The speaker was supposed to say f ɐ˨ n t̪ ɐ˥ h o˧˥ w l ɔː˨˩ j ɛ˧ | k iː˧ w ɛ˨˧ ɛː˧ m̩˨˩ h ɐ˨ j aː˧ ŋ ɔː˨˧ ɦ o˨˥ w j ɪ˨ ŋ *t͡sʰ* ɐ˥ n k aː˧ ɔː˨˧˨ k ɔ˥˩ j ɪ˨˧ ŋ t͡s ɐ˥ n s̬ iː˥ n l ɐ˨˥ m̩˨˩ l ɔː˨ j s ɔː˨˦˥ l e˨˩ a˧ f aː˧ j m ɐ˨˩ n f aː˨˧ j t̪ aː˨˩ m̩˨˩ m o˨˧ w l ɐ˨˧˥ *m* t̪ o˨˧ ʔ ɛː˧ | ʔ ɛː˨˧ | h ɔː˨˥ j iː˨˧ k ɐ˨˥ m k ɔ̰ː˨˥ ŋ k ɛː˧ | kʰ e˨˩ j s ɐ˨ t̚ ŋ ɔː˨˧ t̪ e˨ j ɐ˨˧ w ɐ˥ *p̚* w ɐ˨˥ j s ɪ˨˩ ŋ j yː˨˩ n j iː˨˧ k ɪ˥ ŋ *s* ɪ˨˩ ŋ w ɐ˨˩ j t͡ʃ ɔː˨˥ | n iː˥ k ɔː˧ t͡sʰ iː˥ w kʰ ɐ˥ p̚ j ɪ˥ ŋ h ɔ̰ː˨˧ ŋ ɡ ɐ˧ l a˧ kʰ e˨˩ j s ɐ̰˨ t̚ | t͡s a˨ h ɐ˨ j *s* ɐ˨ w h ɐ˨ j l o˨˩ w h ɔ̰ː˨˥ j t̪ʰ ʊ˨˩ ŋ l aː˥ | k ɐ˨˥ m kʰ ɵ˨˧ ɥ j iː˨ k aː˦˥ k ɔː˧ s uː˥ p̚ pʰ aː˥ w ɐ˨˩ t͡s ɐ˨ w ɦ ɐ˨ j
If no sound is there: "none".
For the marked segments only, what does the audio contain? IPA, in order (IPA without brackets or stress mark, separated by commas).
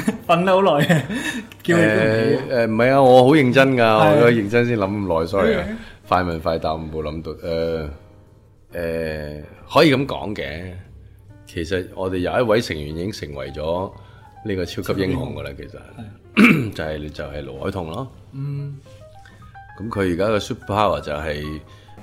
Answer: t͡s, m, t̚, s, t͡s